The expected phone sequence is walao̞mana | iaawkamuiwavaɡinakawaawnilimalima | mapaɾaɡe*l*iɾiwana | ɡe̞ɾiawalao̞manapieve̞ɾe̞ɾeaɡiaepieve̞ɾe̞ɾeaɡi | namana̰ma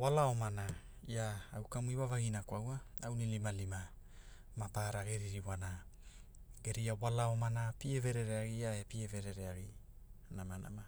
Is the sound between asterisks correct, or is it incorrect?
incorrect